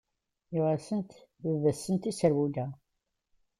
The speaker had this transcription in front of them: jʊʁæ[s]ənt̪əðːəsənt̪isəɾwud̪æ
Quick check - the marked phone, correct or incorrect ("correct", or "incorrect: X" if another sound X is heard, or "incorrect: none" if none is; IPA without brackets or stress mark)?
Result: correct